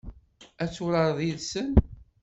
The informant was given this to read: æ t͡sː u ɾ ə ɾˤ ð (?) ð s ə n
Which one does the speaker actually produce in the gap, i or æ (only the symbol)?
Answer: i